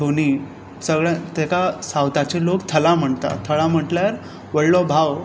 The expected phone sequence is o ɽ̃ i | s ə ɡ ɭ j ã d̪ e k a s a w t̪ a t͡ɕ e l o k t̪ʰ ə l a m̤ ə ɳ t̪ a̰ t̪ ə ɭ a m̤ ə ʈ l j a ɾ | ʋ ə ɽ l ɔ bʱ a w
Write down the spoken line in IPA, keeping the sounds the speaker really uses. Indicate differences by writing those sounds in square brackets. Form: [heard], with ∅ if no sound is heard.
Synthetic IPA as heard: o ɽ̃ i | s ə ɡ ɭ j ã [t̪] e k a s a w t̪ a t͡ɕ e l o k t̪ʰ ə l a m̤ ə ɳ t̪ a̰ [t̪ʰ] ə ɭ a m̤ ə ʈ l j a ɾ | ʋ ə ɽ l ɔ bʱ a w